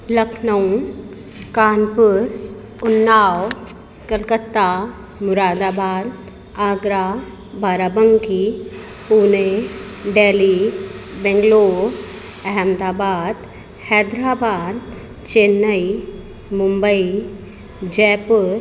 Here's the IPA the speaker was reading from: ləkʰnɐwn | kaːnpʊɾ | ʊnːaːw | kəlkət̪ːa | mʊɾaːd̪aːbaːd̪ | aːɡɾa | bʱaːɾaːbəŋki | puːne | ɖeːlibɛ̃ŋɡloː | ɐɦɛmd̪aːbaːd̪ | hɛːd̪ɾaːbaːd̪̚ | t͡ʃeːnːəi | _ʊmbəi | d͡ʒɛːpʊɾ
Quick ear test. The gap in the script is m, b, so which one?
m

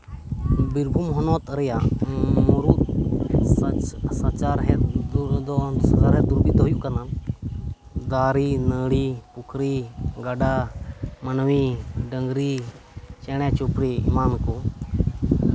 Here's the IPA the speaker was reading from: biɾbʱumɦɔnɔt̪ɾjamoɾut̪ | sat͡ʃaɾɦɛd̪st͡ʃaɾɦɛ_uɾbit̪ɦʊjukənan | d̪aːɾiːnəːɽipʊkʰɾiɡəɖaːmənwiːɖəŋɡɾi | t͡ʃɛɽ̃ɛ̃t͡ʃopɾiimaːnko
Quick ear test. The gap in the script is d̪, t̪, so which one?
d̪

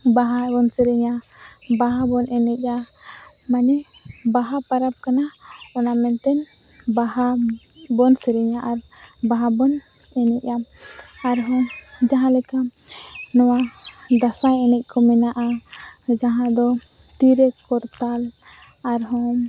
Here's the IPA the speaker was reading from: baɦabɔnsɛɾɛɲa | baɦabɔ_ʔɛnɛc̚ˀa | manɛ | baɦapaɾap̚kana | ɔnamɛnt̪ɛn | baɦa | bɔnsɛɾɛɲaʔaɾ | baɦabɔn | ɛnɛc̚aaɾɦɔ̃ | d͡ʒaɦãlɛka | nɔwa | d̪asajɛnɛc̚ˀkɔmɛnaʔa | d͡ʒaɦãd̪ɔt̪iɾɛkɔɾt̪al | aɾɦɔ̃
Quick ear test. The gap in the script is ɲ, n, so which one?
n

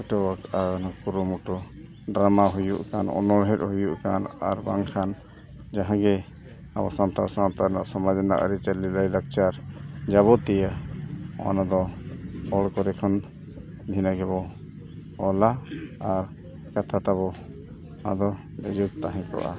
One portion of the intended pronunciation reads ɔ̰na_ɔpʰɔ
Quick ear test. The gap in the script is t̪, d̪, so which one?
d̪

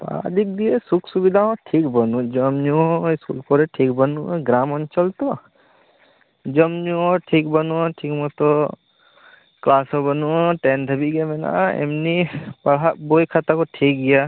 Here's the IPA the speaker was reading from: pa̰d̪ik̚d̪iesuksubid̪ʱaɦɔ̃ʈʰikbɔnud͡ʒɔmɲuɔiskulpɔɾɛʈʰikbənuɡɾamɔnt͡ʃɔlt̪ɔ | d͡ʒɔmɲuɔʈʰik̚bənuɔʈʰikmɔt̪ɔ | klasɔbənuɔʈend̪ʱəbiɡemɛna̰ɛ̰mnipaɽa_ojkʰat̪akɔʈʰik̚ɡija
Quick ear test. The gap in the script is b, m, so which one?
b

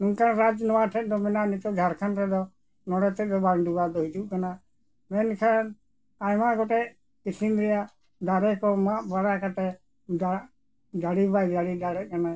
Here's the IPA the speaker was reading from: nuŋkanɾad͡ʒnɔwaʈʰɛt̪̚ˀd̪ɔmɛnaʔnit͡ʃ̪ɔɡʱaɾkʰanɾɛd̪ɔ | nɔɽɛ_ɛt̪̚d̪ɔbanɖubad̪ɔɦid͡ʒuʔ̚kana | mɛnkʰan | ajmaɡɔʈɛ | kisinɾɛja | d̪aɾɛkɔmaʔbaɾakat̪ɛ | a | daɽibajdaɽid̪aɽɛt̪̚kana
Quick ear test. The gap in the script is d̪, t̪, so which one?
t̪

